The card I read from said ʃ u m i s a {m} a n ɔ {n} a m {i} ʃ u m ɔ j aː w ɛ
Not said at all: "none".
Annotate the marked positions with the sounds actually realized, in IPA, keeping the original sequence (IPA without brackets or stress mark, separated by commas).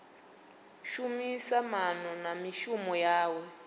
m, n, i